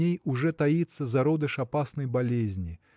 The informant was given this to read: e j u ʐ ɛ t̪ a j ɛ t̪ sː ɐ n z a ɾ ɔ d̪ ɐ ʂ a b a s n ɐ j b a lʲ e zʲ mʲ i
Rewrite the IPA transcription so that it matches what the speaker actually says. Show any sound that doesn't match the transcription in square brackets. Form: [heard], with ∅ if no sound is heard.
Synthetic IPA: e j u ʐ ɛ t̪ a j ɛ t̪ sː ɐ [∅] z a ɾ ɔ d̪ ɐ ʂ a [p] a s n ɐ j b a lʲ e zʲ [nʲ] i